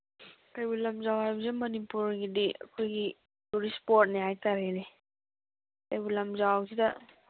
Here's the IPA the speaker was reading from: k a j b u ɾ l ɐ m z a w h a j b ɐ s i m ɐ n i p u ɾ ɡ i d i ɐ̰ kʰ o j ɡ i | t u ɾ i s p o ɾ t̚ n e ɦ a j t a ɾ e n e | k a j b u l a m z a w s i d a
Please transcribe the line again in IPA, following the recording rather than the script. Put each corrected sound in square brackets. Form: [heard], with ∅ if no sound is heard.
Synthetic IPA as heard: k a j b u [∅] l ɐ m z a w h a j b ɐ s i m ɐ n i p u ɾ ɡ i d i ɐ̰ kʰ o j ɡ i | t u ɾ i s p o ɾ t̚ n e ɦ a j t a ɾ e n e | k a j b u l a m z a w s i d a